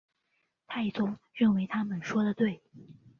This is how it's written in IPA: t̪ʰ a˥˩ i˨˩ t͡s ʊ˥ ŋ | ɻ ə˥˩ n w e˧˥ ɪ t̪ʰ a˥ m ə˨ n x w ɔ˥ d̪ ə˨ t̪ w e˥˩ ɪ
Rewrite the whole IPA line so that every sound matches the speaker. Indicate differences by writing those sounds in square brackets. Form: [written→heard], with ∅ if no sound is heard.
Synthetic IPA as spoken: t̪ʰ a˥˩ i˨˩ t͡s ʊ˥ ŋ | ɻ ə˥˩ n w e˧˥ ɪ t̪ʰ a˥ m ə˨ n [x→ʂ] w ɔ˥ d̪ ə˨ t̪ w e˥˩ ɪ